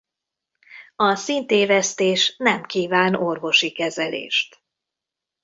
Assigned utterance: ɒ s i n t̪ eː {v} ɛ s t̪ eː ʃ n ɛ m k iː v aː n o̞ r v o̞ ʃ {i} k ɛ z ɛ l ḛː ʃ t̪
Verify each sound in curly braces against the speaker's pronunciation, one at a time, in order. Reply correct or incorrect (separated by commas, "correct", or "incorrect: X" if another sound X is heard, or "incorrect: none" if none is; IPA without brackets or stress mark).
correct, correct